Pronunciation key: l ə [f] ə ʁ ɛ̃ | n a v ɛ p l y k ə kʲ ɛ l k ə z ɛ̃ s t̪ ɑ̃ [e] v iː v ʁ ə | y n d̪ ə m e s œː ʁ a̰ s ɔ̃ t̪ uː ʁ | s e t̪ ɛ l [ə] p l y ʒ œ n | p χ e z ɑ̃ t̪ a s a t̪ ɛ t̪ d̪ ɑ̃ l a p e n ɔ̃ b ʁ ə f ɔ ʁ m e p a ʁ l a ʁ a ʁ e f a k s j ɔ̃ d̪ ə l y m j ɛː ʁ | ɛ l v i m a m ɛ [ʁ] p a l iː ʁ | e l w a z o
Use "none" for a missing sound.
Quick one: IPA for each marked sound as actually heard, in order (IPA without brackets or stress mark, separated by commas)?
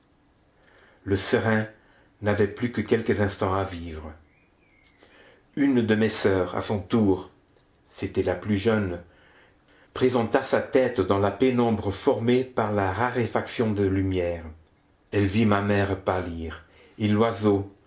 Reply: s, a, a, ʁ